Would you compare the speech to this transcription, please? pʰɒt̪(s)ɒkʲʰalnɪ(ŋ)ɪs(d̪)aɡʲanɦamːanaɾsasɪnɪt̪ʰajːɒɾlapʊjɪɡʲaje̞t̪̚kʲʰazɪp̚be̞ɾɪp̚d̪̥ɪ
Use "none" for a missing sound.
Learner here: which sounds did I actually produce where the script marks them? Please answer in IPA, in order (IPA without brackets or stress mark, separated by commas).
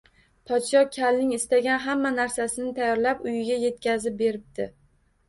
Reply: ʃ, ŋ, t̪